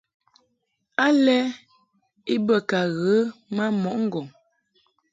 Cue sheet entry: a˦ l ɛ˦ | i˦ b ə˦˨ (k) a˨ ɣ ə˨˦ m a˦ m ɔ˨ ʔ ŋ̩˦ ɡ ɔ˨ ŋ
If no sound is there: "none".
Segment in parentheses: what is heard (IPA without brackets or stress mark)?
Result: k